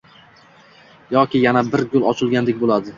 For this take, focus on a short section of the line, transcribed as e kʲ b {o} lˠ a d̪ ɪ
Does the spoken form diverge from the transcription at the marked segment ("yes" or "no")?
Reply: no